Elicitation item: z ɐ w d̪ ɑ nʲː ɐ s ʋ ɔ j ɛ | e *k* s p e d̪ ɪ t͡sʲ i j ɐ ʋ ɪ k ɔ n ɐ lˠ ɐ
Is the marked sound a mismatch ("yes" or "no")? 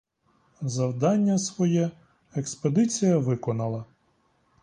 no